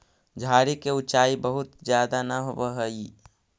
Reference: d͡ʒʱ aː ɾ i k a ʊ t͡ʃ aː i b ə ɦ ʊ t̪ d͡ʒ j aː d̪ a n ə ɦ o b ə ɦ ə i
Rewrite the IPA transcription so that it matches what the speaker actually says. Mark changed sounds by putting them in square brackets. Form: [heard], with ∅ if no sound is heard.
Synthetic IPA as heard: d͡ʒʱ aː ɾ i k [e] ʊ t͡ʃ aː i b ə ɦ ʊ t̪ d͡ʒ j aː d̪ a n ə ɦ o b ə ɦ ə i

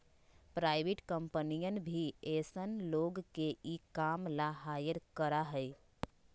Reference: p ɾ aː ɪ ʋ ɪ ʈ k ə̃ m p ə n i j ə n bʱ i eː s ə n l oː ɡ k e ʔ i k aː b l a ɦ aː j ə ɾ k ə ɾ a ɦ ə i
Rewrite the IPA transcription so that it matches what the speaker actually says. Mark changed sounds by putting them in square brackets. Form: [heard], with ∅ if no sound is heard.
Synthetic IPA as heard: p ɾ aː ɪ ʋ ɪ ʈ k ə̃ m p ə n i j ə n bʱ i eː s ə n l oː ɡ k e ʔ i k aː [m] l a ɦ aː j ə ɾ k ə ɾ a ɦ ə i

